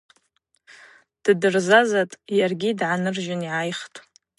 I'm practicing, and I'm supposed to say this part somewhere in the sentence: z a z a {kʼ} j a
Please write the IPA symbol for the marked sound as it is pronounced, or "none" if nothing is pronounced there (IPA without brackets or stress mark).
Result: tʼ